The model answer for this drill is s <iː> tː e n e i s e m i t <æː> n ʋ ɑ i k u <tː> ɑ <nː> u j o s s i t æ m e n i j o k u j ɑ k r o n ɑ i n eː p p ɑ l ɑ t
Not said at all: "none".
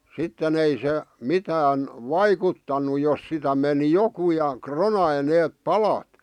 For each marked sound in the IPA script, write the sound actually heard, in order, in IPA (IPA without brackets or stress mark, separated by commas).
i, æː, tː, n